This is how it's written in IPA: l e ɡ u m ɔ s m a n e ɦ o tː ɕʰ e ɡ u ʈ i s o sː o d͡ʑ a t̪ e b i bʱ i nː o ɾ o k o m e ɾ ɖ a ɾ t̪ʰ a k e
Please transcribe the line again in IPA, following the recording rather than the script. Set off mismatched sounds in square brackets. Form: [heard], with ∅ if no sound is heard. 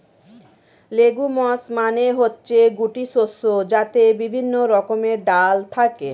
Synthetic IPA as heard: l e ɡ u m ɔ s m a n e ɦ o tː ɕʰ e ɡ u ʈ i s o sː o d͡ʑ a t̪ e b i bʱ i nː o ɾ [ɔ] k o m e ɾ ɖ a [l] t̪ʰ a k e